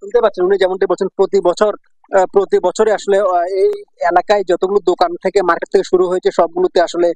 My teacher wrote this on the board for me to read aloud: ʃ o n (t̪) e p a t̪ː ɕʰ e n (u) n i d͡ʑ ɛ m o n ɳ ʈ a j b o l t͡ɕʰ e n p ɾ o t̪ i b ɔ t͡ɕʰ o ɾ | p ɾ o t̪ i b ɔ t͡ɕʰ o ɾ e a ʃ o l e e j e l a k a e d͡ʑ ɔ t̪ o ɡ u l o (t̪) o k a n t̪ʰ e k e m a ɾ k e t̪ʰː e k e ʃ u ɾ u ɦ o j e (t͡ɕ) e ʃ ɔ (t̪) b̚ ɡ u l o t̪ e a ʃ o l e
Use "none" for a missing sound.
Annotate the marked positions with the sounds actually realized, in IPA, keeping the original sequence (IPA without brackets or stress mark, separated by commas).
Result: t̪, u, d̪, t͡ɕʰ, none